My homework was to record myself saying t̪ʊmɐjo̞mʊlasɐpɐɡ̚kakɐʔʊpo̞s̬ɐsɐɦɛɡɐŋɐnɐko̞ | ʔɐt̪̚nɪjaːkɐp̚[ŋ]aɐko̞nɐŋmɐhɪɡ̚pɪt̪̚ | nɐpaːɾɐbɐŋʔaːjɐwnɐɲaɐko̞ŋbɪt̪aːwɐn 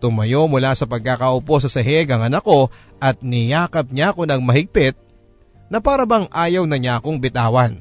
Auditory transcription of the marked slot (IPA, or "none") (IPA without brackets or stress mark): ɲ